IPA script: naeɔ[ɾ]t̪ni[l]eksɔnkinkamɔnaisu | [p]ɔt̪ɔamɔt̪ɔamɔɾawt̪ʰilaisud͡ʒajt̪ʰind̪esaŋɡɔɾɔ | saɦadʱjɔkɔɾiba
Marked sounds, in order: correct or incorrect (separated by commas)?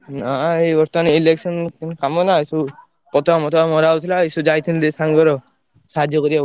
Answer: correct, correct, correct